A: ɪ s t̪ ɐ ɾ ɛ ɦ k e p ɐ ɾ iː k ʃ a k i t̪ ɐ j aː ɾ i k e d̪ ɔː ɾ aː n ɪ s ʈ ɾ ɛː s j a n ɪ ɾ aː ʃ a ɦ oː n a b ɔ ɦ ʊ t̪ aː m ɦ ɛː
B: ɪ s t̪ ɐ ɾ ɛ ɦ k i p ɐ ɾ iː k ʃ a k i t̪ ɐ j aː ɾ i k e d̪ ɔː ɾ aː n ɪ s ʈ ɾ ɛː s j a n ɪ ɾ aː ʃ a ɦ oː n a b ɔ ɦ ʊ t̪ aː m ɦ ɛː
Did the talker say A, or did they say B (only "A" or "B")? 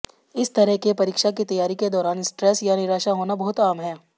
A